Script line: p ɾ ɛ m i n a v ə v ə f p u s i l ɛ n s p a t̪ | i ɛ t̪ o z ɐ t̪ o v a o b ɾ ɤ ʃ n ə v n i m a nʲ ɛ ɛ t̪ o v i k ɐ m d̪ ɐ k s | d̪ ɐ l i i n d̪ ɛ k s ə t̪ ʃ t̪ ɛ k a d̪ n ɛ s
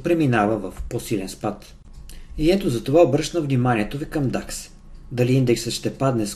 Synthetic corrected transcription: p ɾ ɛ m i n a v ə v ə f p o s i l ɛ n s p a t̪ | i ɛ t̪ o z ɐ t̪ o v a o b ɾ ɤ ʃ n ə v n i m a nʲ i ɛ t̪ o v i k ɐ m d̪ a k s | d̪ ɐ l i i n d̪ ɛ k s ə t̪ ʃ t̪ ɛ p a d̪ n ɛ s